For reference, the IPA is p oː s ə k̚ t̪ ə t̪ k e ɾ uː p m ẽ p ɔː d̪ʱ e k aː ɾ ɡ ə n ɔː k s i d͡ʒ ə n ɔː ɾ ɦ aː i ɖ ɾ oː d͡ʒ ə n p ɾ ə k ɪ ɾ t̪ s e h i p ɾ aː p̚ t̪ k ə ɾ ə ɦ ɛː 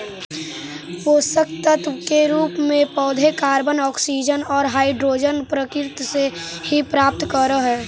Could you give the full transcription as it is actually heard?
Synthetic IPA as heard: p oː s ə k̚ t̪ ə t̪ k e ɾ uː p m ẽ p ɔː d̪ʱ e k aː ɾ b ə n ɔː k s i d͡ʒ ə n ɔː ɾ ɦ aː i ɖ ɾ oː d͡ʒ ə n p ɾ ə k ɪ ɾ t̪ s e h i p ɾ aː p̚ t̪ k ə ɾ ə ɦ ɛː